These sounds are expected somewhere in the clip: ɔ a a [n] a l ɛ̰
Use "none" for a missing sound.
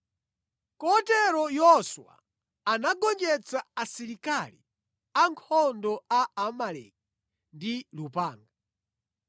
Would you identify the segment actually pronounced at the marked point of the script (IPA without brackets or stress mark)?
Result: m